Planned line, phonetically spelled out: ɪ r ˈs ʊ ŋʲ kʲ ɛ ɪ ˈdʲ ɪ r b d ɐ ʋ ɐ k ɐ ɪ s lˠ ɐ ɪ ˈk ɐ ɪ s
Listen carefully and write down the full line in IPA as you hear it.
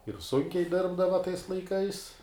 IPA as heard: ɪ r ˈs ʊ ŋʲ kʲ ɛ ɪ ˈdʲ ɪ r b d ɐ ʋ ɐ t ɐ ɪ s lˠ ɐ ɪ ˈk ɐ ɪ s